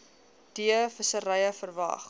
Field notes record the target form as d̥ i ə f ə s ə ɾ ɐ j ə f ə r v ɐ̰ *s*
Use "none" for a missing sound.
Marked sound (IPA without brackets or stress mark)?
χ